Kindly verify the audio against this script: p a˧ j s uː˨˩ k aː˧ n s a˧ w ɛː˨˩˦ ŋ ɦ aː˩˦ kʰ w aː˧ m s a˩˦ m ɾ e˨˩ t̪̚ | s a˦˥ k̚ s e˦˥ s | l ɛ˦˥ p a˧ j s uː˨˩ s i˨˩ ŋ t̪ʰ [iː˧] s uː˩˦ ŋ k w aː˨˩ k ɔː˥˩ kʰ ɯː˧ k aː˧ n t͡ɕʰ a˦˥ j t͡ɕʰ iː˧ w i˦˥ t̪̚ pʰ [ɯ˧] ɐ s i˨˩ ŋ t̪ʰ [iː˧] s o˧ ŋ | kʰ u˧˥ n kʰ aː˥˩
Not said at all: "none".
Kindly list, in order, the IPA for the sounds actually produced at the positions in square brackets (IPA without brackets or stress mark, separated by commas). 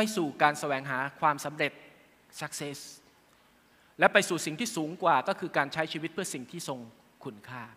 iː˥˩, ɯ˥˩, iː˥˩